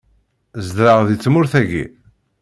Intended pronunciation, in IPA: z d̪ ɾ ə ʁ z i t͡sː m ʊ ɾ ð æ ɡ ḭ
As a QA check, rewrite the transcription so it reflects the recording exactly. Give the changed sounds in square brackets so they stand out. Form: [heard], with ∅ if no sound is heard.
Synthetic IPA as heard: z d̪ ɾ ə ʁ [ð] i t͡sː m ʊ ɾ [θ] æ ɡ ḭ